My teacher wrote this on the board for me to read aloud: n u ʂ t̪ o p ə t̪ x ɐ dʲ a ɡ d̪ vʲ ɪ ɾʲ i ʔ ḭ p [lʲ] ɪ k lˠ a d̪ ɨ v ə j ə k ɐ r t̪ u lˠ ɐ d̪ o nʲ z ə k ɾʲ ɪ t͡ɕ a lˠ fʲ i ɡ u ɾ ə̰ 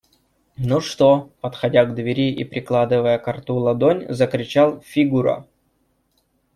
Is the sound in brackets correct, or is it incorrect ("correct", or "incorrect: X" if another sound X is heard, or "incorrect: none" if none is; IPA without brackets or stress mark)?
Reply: incorrect: ɾʲ